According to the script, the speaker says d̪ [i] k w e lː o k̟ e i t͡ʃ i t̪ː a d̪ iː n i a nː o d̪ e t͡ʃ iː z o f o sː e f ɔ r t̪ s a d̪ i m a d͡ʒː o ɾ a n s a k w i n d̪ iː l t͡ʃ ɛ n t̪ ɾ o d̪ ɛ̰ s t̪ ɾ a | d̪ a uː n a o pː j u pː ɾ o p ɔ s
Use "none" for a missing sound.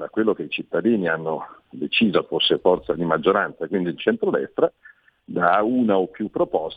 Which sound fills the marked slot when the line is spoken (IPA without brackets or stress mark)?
a